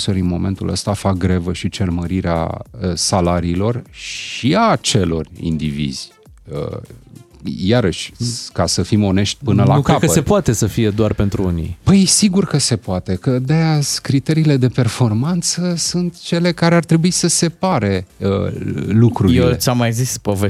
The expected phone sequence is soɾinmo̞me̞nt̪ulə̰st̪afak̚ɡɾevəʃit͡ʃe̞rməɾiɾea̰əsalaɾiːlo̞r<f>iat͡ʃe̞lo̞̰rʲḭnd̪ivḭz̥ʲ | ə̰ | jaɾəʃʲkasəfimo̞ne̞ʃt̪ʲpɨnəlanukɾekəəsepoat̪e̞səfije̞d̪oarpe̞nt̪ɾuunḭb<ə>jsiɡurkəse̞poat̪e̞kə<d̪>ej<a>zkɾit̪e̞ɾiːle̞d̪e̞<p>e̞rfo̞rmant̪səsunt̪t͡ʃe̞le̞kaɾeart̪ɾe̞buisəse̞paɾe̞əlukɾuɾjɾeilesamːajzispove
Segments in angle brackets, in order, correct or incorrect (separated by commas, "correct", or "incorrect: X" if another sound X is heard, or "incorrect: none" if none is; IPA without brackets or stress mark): incorrect: ʃ, correct, correct, correct, correct